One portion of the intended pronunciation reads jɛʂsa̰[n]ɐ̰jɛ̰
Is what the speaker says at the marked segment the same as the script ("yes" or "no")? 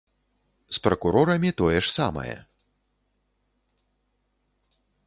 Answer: no